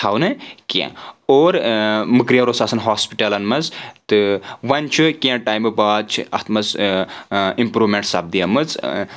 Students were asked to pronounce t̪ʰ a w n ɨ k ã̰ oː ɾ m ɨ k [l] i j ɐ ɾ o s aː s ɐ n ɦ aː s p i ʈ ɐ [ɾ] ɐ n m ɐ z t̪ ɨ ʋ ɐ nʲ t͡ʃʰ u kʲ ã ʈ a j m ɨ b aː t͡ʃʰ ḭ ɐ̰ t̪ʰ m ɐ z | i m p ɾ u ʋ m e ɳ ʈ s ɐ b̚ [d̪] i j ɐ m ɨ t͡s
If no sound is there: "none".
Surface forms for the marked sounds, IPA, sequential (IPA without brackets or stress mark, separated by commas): ɾ, l, d̪